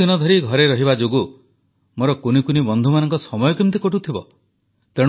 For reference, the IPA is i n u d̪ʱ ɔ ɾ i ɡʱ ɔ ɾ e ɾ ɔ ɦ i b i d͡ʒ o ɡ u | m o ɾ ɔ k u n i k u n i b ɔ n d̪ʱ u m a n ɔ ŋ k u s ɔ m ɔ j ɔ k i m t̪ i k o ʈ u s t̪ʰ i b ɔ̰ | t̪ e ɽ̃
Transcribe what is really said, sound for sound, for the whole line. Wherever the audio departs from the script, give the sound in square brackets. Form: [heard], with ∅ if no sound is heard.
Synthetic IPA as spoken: i n [ɔ] d̪ʱ ɔ ɾ i ɡʱ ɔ ɾ e ɾ ɔ ɦ i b [a] d͡ʒ o ɡ u | m o ɾ ɔ k u n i k u n i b ɔ n d̪ʱ u m a n ɔ ŋ k [ɔ] s ɔ m ɔ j ɔ k i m t̪ i k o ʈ u [∅] t̪ʰ i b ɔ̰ | t̪ e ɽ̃